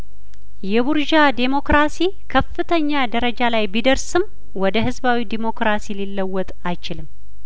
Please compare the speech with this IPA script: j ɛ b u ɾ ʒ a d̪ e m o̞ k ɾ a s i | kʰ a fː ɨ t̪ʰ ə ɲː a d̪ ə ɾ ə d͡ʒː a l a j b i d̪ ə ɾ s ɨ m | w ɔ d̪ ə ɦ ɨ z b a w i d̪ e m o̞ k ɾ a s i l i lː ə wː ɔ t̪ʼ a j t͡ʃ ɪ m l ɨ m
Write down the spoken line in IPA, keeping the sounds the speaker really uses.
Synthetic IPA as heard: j ɛ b u ɾ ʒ a d̪ e m o̞ k ɾ a s i | kʰ ə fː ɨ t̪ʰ ə ɲː a d̪ ə ɾ ə d͡ʒ a l a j b i d̪ ə ɾ s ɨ m | w ɔ d̪ ə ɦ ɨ z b a w i d̪ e m o̞ k ɾ a s i l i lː ə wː ɔ t̪ʼ a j t͡ʃ ɪ l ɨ m